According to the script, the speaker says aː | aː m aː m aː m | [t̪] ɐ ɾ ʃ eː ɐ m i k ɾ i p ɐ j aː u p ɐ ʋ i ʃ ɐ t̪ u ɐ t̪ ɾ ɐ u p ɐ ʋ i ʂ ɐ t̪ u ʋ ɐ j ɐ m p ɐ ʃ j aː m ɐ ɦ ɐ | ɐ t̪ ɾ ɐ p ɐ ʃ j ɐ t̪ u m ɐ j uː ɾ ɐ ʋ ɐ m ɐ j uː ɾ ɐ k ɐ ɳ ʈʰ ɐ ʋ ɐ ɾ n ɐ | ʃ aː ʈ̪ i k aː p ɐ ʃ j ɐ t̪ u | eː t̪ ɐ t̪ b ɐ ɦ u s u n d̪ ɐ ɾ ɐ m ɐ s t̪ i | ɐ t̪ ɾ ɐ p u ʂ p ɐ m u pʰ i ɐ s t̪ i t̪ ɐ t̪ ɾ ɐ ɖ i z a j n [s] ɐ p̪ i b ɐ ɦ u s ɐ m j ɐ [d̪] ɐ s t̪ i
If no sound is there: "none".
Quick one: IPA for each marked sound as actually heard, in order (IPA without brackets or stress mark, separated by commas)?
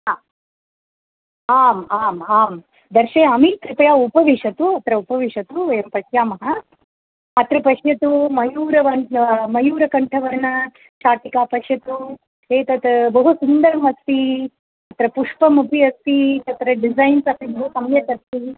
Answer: d̪, s, t̪